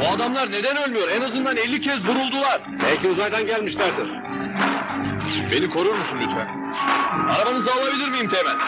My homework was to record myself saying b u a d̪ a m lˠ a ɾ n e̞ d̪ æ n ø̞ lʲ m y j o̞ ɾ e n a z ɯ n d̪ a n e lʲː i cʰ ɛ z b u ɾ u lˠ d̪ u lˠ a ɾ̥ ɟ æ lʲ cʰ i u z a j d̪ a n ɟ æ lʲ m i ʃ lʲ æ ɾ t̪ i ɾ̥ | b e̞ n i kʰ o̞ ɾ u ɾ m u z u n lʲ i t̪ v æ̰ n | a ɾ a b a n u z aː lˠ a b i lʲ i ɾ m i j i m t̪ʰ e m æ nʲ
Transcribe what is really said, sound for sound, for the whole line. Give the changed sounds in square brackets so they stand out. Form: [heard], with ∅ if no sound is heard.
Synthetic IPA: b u a d̪ a m lˠ a ɾ n e̞ d̪ æ n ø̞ lʲ m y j o̞ ɾ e n a z ɯ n d̪ a n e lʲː i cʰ ɛ z b u ɾ u lˠ d̪ u lˠ a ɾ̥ [b] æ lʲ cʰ i u z a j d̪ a n ɟ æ lʲ m i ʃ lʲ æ ɾ [d̪] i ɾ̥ | b e̞ n i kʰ o̞ ɾ u ɾ m u [s] u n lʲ [y] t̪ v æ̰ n | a ɾ a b a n [ɯ] z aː lˠ a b i lʲ i ɾ m i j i m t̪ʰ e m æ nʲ